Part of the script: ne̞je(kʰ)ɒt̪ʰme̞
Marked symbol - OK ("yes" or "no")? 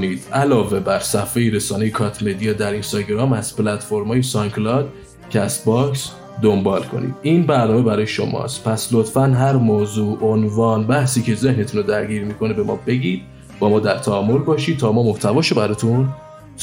yes